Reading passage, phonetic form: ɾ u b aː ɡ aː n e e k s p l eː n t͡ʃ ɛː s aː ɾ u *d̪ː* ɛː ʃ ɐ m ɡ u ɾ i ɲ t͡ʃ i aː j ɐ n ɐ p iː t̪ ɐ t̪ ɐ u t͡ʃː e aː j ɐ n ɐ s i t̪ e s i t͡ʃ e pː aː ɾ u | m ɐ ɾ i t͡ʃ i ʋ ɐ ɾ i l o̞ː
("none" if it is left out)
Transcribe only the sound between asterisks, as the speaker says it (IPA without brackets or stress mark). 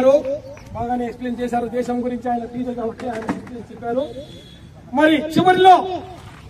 d̪